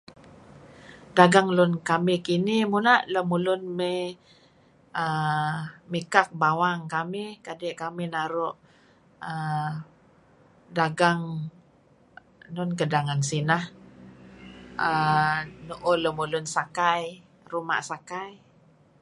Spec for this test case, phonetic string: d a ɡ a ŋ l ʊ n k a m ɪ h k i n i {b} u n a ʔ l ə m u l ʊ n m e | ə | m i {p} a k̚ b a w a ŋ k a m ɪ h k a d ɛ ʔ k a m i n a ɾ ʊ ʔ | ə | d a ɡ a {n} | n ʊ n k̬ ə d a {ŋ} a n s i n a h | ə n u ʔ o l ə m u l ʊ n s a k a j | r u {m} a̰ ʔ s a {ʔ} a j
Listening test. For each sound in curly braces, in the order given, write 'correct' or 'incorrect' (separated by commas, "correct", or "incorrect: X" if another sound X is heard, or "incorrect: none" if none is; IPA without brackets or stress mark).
incorrect: m, incorrect: k, incorrect: ŋ, correct, correct, incorrect: k